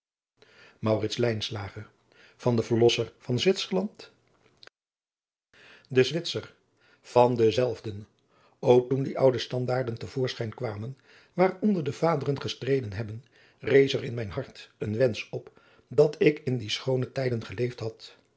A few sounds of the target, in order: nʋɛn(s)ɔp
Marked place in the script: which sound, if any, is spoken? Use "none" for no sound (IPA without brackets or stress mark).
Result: s